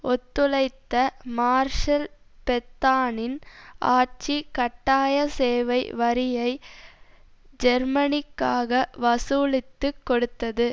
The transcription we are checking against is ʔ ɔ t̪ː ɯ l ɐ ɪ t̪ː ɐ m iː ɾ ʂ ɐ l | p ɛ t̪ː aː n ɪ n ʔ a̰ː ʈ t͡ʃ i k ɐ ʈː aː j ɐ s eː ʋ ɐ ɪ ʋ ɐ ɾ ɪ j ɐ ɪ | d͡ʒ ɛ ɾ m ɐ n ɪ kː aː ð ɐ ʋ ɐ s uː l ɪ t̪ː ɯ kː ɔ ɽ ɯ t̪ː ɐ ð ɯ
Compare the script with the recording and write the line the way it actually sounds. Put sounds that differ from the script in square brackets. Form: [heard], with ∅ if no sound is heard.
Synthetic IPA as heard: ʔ ɔ t̪ː ɯ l ɐ ɪ t̪ː ɐ m [aː] ɾ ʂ ɐ l | p ɛ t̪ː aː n ɪ n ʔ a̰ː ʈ t͡ʃ i k ɐ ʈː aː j ɐ s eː ʋ ɐ ɪ ʋ ɐ ɾ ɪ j ɐ ɪ | d͡ʒ ɛ ɾ m ɐ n ɪ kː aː [ɣ] ɐ ʋ ɐ s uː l ɪ t̪ː ɯ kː ɔ ɽ ɯ t̪ː ɐ ð ɯ